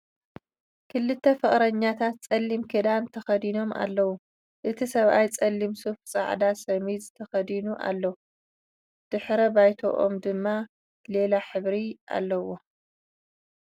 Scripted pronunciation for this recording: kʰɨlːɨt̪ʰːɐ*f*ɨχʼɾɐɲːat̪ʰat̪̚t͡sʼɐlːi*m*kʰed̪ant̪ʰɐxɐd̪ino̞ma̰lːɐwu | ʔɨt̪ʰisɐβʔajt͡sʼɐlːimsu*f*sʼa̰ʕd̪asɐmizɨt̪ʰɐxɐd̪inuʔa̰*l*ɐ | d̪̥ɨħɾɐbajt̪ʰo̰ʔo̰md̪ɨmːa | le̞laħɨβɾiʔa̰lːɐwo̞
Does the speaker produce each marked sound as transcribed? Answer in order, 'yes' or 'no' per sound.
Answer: yes, yes, yes, no

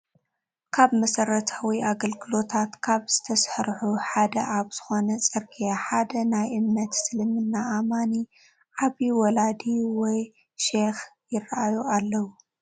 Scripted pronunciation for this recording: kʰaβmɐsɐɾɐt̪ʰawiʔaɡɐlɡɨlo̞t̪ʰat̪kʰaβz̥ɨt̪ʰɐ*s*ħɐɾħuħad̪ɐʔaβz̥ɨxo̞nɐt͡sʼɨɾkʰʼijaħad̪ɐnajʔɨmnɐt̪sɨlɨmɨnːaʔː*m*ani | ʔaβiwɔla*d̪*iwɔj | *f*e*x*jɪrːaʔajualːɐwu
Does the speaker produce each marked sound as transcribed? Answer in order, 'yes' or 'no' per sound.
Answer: yes, yes, yes, no, yes

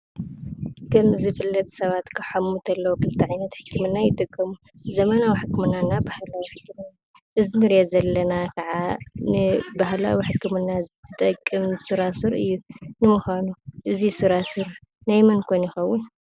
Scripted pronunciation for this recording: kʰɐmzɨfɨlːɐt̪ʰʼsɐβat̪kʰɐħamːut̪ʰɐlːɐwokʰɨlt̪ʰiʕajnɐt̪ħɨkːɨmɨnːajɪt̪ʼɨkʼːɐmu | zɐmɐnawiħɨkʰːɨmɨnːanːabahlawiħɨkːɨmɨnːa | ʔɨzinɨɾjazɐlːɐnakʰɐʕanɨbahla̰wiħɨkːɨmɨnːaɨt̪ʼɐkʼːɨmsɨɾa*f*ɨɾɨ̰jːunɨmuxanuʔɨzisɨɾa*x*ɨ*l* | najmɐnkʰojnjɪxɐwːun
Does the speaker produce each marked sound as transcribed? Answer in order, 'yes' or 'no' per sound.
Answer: no, no, no

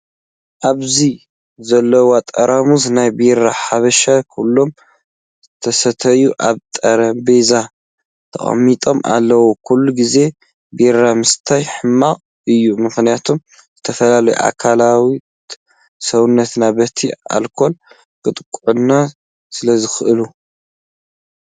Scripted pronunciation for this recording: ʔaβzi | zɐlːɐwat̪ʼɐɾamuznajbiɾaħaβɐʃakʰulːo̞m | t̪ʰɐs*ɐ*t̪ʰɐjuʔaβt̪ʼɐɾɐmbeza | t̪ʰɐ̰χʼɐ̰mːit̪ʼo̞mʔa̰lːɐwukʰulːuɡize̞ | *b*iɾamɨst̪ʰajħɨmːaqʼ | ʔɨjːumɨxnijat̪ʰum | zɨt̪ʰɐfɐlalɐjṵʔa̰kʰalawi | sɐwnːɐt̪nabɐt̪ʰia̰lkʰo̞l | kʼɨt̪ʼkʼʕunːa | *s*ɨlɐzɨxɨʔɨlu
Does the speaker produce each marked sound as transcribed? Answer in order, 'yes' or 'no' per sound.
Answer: yes, yes, yes

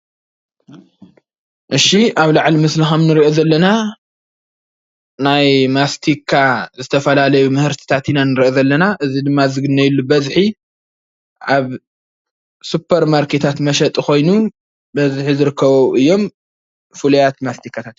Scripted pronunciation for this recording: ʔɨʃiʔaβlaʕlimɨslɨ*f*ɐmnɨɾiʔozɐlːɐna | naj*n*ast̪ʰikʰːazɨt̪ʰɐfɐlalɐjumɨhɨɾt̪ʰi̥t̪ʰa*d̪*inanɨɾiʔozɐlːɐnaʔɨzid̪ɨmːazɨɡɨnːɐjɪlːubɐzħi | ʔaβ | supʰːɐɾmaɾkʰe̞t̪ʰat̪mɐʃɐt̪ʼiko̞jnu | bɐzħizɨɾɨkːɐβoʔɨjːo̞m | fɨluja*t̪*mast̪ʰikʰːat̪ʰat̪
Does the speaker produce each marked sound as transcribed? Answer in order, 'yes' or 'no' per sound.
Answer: no, no, no, yes

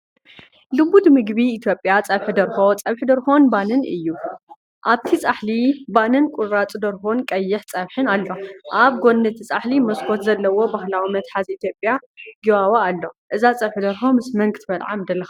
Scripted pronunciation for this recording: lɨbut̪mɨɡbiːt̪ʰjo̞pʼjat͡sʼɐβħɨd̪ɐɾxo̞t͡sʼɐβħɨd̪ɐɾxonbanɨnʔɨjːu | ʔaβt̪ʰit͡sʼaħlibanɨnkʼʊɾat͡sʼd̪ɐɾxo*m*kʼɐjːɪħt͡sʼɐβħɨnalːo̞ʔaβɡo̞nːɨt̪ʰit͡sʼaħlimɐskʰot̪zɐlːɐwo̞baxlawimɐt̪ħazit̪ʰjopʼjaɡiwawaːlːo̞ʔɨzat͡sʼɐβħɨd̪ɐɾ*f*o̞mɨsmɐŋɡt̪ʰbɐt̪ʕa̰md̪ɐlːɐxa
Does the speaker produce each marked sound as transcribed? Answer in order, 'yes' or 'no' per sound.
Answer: no, no

